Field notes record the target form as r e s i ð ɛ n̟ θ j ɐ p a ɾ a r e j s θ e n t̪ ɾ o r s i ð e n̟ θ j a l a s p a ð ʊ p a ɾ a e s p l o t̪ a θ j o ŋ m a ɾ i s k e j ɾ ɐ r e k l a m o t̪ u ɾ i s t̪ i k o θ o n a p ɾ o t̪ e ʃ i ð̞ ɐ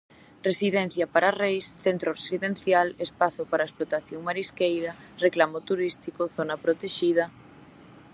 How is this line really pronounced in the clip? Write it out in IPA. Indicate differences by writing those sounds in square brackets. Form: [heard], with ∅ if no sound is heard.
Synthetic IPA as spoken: r e s i ð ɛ n̟ θ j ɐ p a ɾ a r e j s θ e n t̪ ɾ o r s i ð e n̟ θ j a l [e] s p a [θ] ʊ p a ɾ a e s p l o t̪ a θ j o ŋ m a ɾ i s k e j ɾ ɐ r e k l a m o t̪ u ɾ i s t̪ i k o θ o n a p ɾ o t̪ e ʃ i ð̞ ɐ